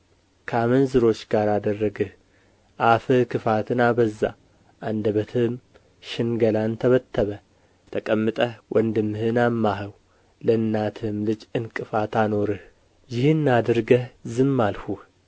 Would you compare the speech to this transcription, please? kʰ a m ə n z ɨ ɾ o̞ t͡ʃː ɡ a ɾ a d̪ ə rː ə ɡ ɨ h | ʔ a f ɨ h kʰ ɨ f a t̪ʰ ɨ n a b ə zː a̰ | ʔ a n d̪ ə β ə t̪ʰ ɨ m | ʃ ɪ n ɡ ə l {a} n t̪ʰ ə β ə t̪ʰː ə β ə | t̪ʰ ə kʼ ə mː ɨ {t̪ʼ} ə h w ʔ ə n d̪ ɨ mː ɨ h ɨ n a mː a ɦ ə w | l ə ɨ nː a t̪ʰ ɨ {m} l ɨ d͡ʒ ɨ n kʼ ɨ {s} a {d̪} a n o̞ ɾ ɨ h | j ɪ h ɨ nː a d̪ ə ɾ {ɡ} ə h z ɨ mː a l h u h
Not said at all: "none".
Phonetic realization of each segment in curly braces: a, t̪ʼ, m, f, t̪, ɡ

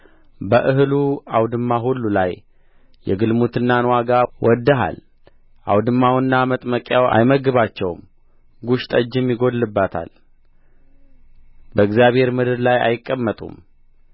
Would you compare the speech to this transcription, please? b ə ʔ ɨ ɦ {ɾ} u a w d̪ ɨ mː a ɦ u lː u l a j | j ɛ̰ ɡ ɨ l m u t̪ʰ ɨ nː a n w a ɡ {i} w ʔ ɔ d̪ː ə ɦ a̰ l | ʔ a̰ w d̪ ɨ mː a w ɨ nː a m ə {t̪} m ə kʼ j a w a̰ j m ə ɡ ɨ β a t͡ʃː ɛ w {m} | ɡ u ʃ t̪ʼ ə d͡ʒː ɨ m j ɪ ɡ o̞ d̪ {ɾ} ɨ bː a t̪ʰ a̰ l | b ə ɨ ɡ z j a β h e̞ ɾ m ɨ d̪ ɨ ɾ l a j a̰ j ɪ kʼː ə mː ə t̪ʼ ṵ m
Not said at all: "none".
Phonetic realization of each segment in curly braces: l, a, t̪ʼ, m, l

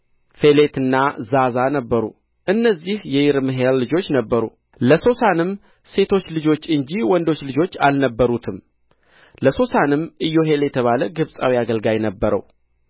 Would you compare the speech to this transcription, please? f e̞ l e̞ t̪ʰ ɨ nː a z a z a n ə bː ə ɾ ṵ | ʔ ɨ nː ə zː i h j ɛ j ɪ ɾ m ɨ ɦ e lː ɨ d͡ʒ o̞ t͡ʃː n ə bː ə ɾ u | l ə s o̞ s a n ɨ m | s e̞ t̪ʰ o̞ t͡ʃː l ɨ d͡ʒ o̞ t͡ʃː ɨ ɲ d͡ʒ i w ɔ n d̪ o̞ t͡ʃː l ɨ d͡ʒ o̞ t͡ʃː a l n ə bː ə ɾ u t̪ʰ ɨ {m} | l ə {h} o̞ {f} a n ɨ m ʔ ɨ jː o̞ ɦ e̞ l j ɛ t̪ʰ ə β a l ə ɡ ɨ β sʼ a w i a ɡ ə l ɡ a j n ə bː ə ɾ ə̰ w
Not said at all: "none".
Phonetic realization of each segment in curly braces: m, s, s

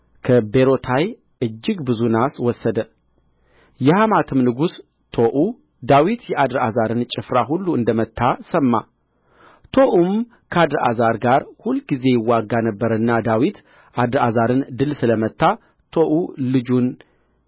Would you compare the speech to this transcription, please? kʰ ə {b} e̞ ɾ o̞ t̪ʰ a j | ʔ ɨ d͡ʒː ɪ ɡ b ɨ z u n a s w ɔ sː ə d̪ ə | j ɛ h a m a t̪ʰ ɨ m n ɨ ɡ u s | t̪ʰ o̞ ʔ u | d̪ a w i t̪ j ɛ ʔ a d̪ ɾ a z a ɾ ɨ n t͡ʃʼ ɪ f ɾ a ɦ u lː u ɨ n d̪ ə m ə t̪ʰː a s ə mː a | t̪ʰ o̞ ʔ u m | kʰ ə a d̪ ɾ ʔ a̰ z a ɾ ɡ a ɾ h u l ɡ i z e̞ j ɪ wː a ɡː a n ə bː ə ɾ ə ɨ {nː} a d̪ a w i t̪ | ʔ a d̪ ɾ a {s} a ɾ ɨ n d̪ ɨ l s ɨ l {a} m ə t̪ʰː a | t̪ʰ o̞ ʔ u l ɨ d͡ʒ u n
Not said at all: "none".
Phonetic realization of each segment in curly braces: b, nː, z, ə

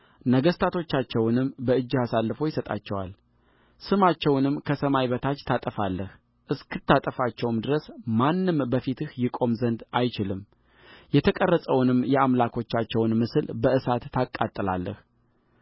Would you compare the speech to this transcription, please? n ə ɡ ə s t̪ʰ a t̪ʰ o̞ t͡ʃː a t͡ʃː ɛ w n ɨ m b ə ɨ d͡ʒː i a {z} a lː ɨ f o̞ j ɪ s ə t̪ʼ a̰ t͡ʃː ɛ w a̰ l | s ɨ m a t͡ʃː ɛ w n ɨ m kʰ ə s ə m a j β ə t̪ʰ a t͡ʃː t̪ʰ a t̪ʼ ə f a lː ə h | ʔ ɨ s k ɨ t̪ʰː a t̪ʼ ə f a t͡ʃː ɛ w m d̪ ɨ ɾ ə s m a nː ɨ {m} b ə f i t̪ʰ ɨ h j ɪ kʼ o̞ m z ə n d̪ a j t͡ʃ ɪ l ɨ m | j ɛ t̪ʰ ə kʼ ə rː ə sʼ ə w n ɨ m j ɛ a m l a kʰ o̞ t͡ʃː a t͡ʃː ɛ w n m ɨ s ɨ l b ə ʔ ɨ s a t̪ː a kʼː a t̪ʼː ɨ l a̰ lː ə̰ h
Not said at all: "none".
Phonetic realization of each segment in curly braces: s, m

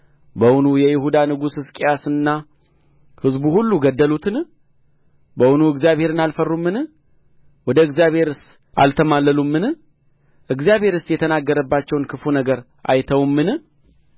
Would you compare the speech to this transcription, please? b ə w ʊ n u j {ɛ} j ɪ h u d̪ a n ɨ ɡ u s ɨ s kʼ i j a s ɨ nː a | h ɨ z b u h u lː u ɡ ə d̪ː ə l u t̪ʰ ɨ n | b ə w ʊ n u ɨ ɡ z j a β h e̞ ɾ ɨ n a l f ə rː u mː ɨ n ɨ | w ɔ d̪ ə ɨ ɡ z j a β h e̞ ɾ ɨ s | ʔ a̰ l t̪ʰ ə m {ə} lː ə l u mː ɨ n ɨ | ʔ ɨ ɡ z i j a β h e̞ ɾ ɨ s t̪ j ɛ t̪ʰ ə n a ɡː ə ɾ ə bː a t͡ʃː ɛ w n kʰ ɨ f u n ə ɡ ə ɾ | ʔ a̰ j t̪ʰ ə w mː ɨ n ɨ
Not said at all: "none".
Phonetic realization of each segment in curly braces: ɛ, a

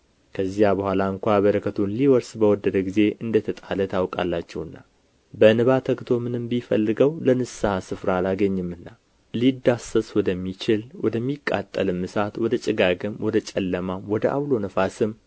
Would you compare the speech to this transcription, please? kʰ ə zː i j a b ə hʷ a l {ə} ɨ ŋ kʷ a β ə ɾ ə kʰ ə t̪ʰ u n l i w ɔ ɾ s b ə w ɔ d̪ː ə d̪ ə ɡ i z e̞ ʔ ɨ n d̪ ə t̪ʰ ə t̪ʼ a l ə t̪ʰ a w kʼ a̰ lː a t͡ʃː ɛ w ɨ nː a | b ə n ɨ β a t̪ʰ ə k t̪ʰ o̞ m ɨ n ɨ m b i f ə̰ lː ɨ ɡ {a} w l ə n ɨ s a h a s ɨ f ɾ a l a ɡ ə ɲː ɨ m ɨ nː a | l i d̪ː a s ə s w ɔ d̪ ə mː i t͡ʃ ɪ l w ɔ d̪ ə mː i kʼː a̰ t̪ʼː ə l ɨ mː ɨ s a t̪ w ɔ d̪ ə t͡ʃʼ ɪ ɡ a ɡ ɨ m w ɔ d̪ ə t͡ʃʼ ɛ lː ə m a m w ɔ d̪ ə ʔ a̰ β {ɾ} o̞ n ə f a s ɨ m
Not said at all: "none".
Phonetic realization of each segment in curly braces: a, ə, l

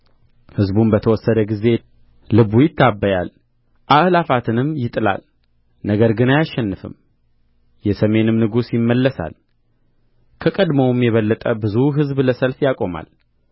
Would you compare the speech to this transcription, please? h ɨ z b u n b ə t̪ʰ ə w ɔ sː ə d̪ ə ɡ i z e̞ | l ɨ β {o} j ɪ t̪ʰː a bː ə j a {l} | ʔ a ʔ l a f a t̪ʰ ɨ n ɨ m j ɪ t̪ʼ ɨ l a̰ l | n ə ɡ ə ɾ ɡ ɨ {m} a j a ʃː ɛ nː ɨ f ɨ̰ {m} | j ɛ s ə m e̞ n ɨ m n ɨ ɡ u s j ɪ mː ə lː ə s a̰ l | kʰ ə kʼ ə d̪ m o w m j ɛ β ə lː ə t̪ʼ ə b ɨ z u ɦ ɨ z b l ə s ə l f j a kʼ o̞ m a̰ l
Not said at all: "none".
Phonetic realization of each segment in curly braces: u, l, n, m

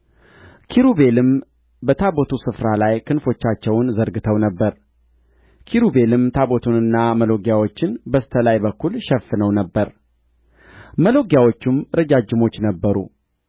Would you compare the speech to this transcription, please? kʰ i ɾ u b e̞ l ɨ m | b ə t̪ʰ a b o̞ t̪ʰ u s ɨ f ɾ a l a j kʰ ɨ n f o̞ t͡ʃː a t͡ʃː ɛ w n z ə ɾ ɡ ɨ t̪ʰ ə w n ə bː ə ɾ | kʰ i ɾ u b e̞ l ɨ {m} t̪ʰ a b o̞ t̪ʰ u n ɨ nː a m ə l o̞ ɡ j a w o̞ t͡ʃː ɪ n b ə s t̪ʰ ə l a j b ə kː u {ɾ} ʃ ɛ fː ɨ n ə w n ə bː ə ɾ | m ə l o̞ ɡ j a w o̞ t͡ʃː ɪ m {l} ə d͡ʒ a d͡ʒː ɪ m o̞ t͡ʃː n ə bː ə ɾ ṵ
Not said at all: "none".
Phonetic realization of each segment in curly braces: m, l, ɾ

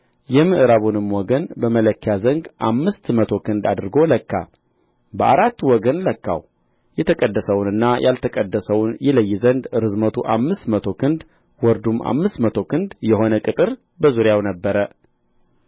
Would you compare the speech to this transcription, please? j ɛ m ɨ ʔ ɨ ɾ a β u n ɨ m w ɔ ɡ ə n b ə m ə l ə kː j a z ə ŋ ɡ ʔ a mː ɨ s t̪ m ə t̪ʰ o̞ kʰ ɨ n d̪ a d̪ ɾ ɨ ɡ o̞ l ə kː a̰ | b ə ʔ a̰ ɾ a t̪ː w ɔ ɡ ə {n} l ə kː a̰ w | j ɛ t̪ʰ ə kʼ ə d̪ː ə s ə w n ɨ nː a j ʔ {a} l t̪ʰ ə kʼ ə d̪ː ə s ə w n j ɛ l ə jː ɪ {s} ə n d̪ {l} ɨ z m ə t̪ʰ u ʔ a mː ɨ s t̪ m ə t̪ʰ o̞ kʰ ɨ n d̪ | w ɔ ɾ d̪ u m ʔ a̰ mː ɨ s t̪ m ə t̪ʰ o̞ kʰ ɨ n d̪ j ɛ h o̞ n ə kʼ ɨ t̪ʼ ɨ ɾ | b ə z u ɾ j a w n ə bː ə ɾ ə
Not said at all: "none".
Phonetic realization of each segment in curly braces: n, a, z, ɾ

